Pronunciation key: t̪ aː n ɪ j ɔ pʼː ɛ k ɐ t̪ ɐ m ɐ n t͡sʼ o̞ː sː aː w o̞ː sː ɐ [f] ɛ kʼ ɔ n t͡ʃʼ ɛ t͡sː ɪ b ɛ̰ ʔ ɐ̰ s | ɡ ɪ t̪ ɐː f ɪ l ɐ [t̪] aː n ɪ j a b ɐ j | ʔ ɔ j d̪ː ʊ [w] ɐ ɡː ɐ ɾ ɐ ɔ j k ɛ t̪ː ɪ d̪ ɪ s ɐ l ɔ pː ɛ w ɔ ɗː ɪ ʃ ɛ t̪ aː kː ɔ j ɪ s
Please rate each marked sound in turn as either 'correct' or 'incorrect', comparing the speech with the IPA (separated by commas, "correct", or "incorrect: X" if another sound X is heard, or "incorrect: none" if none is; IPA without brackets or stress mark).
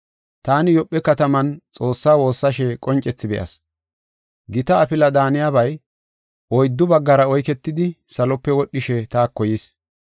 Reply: incorrect: ʃ, incorrect: d̪, incorrect: b